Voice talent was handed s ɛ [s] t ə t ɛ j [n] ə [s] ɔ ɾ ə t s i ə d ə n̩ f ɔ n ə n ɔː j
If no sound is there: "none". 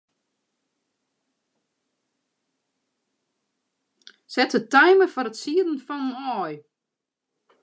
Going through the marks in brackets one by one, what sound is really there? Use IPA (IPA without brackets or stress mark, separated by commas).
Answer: none, m, f